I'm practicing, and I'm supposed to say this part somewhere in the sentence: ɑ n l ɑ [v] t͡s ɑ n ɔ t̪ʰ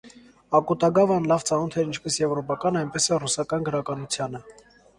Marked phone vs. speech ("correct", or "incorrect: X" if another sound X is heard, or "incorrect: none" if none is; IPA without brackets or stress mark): correct